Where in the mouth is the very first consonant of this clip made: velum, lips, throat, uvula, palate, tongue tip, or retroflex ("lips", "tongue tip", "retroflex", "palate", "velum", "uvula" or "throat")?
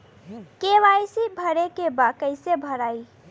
velum